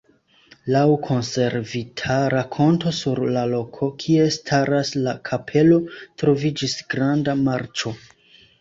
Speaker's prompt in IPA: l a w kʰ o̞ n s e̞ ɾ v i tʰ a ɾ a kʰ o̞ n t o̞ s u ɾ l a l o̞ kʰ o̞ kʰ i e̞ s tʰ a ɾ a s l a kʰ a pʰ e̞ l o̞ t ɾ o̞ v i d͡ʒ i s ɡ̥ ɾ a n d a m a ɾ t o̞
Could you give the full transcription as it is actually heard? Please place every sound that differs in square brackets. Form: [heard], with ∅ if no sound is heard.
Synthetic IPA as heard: l a w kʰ o̞ n s e̞ ɾ v i tʰ a ɾ a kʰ o̞ n t o̞ s u ɾ l a l o̞ kʰ o̞ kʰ i e̞ s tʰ a ɾ a s l a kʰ a pʰ e̞ l o̞ t ɾ o̞ v i d͡ʒ i s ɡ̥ ɾ a n d a m a ɾ [t͡ʃ] o̞